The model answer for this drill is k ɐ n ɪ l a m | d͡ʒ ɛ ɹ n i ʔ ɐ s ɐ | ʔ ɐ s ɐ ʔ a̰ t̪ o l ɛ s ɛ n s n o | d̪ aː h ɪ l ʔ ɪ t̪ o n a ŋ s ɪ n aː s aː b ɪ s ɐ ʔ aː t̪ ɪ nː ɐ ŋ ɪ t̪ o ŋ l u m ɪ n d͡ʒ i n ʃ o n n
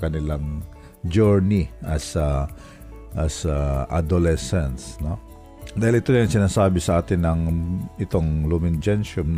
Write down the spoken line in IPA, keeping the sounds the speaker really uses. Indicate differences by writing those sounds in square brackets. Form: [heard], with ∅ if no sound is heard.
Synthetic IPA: k ɐ n ɪ l a [ŋ] | d͡ʒ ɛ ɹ n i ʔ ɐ s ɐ | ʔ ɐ s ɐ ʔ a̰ [d̪] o l ɛ s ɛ n s n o | d̪ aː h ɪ l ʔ ɪ t̪ o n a ŋ s ɪ n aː s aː b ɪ s ɐ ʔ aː t̪ ɪ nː ɐ ŋ ɪ t̪ o ŋ l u m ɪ n d͡ʒ [ɛ] n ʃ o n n